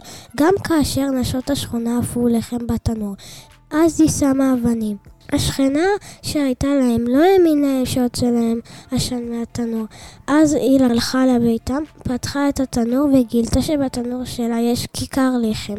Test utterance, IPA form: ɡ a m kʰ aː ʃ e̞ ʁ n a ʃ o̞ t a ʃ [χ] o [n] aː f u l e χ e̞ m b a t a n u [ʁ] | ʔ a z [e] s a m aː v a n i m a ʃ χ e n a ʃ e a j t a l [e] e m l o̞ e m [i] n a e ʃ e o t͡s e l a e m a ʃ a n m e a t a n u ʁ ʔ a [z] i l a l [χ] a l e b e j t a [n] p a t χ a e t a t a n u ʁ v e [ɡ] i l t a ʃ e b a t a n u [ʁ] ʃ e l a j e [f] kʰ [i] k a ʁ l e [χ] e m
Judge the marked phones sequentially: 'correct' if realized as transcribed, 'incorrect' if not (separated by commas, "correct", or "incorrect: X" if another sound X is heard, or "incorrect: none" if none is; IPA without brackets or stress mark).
correct, correct, correct, incorrect: i, incorrect: a, correct, correct, correct, incorrect: m, correct, correct, incorrect: ʃ, correct, correct